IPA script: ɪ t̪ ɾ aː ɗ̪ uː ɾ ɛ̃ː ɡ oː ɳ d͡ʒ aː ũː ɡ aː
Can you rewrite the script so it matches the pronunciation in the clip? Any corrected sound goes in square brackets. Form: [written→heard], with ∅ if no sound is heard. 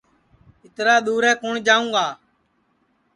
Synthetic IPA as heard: ɪ t̪ ɾ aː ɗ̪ uː ɾ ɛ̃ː [ɡ→k] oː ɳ d͡ʒ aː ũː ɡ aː